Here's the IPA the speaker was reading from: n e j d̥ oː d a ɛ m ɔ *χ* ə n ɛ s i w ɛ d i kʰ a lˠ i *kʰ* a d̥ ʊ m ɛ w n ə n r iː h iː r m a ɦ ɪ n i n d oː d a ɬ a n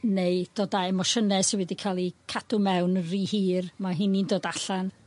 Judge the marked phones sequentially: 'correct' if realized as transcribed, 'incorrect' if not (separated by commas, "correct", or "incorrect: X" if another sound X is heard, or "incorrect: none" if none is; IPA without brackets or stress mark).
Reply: incorrect: ʃ, correct